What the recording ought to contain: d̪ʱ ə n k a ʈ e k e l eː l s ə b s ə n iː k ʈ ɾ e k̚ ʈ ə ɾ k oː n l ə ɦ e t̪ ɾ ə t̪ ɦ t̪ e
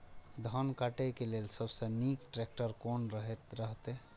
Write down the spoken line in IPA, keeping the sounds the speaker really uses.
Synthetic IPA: d̪ʱ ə n k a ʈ e k e l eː l s ə b s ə n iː k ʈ ɾ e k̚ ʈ ə ɾ k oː n ɾ ə ɦ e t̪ ɾ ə ɦ t̪ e

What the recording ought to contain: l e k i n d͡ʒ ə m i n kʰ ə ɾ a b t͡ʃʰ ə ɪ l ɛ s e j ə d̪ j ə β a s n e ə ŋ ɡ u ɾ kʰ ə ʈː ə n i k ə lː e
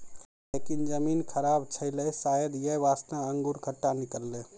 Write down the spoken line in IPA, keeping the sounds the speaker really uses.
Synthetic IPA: l e k i n d͡ʒ ə m i n kʰ ə ɾ a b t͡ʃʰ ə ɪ l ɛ s a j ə d̪ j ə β a s n a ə ŋ ɡ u ɾ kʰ ə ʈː a n i k ə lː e

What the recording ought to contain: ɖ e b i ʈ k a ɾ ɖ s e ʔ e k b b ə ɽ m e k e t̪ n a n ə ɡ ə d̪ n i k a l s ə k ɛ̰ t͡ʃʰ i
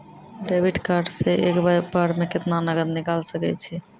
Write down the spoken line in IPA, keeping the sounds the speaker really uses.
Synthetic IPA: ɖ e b i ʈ k a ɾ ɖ s e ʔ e k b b a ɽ m e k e t̪ n a n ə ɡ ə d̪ n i k a l s ə k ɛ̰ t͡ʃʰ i

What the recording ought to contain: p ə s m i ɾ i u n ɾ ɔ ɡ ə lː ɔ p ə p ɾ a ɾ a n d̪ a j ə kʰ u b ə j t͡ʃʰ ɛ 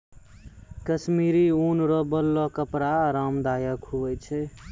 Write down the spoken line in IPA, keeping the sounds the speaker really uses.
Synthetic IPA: k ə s m i ɾ i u n ɾ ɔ b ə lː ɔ k ə p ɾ a ɾ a m d̪ a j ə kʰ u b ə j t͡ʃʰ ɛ

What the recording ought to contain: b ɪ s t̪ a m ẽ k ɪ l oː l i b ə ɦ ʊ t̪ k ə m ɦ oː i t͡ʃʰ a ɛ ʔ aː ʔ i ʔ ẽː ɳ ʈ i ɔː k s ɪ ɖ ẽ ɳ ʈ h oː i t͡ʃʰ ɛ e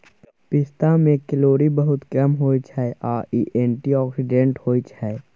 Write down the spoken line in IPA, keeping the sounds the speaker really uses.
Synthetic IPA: p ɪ s t̪ a m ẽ k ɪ l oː ɾ i b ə ɦ ʊ t̪ k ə m ɦ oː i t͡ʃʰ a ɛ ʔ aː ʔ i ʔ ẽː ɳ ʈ i ɔː k s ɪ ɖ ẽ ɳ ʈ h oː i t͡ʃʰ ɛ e

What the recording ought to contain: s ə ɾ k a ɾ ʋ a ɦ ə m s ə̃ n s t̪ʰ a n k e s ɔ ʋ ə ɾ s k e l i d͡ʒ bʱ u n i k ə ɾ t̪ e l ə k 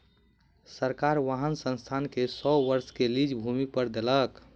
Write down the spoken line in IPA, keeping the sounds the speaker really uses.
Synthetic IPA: s ə ɾ k a ɾ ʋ a ɦ ə n s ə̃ n s t̪ʰ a n k e s ɔ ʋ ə ɾ s k e l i d͡ʒ bʱ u m i p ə ɾ d̪ e l ə k

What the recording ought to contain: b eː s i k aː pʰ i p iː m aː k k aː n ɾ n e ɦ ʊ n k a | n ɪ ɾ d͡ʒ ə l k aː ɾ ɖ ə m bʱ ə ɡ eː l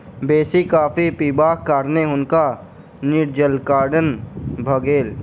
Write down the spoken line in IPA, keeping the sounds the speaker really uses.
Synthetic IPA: b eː s i k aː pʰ i p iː b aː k k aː ɾ n e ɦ ʊ n k a | n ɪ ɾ d͡ʒ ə l k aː ɾ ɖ ə n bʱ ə ɡ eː l

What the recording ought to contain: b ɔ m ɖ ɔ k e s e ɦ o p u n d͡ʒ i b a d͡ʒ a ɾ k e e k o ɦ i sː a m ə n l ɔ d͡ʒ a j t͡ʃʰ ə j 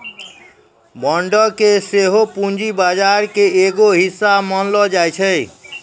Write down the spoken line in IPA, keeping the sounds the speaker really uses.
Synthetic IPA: b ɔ ɳ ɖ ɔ k e s e ɦ o p u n d͡ʒ i b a d͡ʒ a ɾ k e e ɡ o ɦ i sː a m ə n l ɔ d͡ʒ a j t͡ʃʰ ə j

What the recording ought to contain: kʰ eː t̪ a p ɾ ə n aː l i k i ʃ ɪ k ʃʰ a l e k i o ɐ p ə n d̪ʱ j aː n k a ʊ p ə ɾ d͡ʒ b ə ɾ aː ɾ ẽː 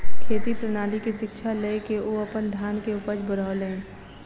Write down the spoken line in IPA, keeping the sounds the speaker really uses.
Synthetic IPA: kʰ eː t̪ i p ɾ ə n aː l i k i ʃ ɪ k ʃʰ a l e k e o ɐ p ə n d̪ʱ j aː n k e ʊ p ə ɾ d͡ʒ b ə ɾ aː l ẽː

